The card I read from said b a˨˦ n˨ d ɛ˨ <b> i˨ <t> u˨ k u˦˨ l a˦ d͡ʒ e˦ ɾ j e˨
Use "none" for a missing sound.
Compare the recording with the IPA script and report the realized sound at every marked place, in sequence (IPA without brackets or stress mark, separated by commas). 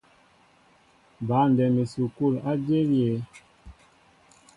m, s